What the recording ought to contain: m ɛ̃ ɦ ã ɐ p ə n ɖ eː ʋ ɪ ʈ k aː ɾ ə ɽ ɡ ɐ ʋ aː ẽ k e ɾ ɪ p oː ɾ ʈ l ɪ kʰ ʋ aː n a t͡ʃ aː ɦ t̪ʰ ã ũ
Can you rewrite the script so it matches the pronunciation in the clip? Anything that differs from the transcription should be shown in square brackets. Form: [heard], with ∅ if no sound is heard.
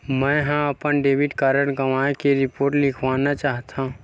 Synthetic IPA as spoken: m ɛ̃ ɦ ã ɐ p ə n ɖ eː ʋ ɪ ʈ k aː ɾ ə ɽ ɡ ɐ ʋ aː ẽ k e ɾ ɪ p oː ɾ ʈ l ɪ kʰ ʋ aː n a t͡ʃ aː ɦ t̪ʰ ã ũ